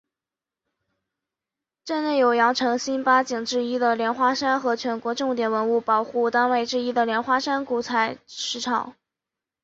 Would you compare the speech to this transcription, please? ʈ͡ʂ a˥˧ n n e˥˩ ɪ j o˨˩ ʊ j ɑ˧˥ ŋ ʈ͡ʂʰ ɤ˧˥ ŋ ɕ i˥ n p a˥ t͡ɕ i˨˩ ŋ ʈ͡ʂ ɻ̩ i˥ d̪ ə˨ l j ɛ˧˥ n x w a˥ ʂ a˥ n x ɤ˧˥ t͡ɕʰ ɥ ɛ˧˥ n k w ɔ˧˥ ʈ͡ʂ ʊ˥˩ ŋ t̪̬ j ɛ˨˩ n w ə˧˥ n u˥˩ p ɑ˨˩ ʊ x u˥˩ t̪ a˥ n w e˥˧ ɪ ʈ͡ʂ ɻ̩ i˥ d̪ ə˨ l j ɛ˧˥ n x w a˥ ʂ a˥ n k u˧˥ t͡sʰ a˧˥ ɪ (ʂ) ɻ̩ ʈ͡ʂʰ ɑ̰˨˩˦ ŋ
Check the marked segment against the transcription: correct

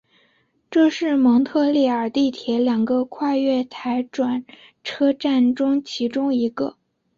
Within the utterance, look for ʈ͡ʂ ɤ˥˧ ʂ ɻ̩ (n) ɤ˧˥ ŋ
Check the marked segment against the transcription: incorrect: m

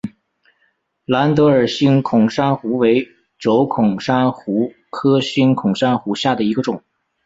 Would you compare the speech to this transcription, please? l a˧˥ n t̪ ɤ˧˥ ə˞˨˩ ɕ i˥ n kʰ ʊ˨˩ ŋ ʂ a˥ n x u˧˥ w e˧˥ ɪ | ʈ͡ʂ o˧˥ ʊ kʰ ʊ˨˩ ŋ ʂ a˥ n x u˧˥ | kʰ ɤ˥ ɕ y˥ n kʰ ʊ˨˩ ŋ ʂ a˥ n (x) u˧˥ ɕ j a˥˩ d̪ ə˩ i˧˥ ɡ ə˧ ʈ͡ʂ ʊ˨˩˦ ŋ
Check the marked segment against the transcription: correct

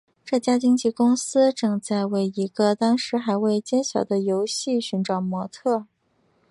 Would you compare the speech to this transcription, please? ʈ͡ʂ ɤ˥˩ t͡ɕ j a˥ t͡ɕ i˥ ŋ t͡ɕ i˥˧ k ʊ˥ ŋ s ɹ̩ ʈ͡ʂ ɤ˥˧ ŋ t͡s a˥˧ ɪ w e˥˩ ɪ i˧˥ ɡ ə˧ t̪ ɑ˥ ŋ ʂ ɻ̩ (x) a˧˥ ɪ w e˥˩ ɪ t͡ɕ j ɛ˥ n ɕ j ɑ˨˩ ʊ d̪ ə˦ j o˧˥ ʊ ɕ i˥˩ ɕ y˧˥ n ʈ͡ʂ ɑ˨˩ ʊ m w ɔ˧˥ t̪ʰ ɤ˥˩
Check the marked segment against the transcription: correct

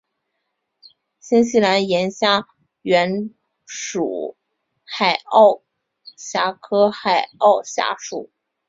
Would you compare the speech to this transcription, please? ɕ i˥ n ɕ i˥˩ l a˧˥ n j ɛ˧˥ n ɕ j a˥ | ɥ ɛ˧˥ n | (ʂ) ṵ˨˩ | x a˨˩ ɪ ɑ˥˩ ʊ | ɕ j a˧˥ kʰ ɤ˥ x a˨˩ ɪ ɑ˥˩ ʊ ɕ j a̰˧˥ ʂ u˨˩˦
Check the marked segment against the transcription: correct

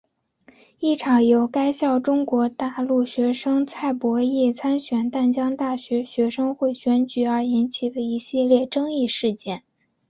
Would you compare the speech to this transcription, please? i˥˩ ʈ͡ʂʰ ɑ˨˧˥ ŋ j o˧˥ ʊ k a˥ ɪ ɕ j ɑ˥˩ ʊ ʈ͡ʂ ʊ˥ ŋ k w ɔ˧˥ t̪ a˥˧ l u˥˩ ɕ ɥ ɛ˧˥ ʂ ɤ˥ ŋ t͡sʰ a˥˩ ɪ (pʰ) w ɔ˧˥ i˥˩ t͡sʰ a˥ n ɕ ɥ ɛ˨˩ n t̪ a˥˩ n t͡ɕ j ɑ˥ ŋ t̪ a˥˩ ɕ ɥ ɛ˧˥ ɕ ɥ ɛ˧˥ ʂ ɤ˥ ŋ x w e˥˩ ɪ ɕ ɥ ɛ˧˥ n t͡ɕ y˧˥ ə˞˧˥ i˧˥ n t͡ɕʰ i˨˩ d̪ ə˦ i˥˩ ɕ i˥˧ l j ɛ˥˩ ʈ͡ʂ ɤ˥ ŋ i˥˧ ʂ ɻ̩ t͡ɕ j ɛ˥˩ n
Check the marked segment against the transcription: incorrect: p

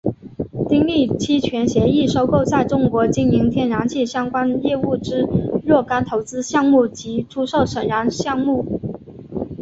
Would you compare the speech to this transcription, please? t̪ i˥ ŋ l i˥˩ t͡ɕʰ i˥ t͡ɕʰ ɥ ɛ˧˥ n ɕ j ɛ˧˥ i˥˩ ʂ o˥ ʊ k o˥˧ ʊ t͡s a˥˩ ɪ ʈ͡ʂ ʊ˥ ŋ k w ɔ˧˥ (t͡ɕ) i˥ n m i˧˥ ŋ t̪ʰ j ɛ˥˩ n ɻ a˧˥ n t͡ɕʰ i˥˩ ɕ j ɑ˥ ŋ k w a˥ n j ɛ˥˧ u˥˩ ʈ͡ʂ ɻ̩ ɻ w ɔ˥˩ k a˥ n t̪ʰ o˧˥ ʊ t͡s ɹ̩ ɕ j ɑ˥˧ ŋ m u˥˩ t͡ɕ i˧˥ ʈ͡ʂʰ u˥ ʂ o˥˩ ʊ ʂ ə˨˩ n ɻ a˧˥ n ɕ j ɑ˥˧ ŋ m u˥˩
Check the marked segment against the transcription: correct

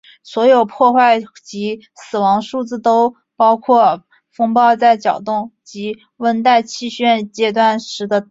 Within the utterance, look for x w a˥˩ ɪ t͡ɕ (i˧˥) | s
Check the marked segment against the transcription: correct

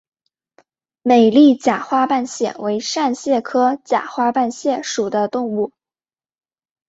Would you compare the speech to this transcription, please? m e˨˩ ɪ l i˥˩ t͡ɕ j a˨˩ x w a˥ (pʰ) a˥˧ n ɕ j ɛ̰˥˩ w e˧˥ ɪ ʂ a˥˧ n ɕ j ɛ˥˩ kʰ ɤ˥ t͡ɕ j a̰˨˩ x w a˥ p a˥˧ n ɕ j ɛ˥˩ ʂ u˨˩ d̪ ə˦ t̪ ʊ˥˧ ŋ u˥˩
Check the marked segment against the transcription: incorrect: p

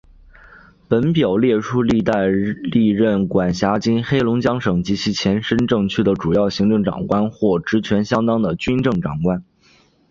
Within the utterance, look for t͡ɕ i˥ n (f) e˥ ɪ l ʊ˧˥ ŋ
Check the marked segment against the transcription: incorrect: x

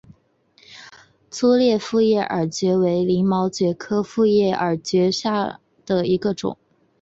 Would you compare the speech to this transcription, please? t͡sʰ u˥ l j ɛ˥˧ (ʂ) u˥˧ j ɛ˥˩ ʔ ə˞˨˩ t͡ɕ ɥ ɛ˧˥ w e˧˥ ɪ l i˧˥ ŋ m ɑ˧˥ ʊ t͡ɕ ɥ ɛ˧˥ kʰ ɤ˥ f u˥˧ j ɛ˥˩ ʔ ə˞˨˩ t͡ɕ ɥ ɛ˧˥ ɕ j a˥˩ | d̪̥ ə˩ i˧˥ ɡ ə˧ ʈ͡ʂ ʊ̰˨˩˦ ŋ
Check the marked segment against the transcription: incorrect: f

